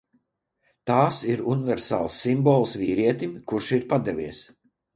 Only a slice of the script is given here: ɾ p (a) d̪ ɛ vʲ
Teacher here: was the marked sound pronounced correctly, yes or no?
yes